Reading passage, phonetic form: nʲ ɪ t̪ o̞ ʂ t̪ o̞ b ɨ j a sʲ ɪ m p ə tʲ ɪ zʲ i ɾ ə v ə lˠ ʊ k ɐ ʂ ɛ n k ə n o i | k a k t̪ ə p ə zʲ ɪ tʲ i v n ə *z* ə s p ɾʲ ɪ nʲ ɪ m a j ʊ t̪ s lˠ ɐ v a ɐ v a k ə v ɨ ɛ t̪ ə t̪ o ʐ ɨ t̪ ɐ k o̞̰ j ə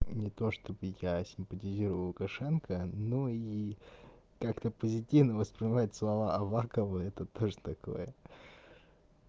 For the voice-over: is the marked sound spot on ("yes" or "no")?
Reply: no